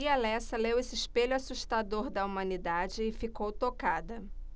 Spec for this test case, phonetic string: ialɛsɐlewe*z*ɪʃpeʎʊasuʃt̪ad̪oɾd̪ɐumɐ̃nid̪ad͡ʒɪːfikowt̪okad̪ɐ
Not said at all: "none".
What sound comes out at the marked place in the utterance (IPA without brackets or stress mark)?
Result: s